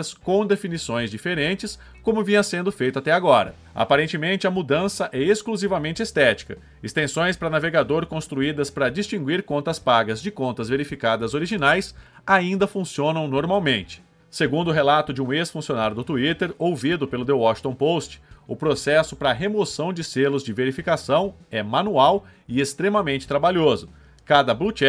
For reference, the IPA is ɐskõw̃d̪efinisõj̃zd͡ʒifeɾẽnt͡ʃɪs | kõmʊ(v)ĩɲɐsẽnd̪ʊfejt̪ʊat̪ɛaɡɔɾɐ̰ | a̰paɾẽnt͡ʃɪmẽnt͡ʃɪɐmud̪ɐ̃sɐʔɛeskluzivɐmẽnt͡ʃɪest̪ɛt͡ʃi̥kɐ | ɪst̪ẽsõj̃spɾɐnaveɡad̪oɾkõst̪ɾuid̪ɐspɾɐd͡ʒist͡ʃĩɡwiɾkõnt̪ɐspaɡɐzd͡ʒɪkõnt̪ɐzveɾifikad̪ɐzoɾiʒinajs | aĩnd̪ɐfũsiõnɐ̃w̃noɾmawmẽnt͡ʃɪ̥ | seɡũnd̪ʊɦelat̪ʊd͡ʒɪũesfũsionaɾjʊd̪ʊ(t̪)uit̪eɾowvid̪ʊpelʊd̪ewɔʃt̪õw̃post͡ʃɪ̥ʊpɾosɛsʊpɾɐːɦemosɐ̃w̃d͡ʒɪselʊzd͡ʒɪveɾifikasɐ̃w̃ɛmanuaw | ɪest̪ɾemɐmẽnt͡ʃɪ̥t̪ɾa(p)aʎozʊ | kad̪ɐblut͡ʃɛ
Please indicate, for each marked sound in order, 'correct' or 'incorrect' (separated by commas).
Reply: correct, correct, incorrect